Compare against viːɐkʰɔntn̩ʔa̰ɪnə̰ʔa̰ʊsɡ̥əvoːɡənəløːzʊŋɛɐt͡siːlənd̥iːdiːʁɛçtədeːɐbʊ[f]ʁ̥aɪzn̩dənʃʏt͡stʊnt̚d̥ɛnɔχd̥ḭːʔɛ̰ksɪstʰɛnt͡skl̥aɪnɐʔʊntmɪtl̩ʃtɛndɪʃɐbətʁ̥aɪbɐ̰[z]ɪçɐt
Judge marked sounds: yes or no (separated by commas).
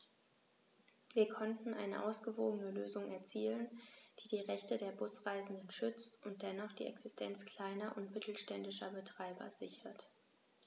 no, yes